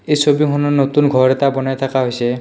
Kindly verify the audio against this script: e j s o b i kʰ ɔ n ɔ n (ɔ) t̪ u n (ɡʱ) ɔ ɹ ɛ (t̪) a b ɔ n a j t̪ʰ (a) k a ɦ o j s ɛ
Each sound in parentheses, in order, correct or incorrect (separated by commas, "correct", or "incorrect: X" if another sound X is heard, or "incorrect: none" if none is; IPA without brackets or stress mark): incorrect: o, correct, correct, correct